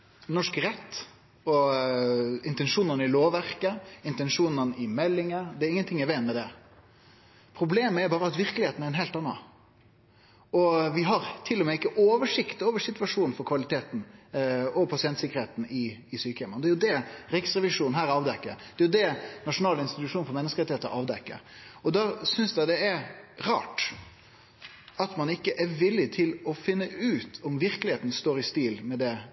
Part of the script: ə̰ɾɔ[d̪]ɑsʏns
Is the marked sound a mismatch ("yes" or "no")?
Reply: no